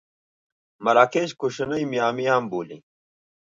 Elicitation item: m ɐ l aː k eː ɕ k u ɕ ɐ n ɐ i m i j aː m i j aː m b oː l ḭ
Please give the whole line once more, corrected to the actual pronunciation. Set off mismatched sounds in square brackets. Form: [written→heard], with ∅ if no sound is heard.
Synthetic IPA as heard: m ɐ [l→ɾ] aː k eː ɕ k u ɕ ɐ n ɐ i m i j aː m i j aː m b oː l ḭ